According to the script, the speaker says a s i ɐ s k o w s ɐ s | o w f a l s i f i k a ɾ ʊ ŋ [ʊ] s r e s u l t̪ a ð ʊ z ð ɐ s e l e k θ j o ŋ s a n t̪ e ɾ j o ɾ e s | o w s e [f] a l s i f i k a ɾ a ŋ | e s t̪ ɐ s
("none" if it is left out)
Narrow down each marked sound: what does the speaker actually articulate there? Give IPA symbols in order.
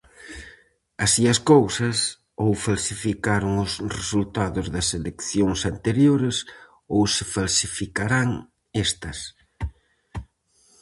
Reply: ʊ, f

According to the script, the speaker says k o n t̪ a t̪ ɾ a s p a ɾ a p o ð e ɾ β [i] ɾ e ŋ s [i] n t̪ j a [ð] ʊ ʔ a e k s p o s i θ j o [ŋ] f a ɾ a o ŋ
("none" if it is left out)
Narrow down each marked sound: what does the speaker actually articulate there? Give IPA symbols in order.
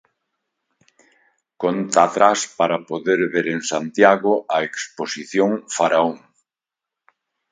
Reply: e, a, ɣ, ŋ

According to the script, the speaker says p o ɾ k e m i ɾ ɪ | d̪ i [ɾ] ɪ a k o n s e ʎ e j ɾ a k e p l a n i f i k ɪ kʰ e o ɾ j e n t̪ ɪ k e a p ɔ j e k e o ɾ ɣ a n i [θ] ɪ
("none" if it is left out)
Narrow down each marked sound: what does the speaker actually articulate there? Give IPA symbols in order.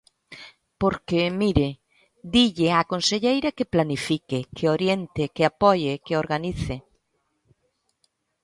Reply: ʎ, θ

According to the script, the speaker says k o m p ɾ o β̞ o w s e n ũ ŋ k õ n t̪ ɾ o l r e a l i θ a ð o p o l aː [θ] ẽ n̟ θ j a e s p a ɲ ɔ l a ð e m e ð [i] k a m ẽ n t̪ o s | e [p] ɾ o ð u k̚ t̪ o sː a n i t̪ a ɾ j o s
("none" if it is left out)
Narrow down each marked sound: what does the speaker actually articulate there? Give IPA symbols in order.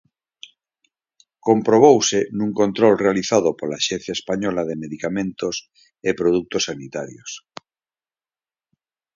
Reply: ʃ, i, p

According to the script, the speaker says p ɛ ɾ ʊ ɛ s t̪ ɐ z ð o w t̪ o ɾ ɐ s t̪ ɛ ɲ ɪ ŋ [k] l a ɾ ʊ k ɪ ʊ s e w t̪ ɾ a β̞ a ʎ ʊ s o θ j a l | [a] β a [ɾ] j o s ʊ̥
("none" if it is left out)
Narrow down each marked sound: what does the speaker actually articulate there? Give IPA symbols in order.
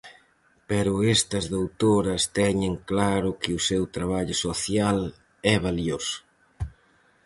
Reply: k, ɛ, l

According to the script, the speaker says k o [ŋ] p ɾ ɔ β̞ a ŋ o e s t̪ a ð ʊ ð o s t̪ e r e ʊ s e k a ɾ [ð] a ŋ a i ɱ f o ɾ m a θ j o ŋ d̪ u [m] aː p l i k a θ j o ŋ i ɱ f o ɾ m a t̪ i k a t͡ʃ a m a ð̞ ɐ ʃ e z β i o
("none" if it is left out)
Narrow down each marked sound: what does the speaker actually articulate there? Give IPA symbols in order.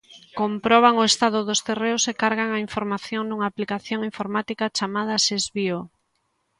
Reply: m, ɣ, ŋ

